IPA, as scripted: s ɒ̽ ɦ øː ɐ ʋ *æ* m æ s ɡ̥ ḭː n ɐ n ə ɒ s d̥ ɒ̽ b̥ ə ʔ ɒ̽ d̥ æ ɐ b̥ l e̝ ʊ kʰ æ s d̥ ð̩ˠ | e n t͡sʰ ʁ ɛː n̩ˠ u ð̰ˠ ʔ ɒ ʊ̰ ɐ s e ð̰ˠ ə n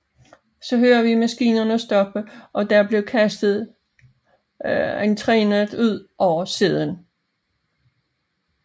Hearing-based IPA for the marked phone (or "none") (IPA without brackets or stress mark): i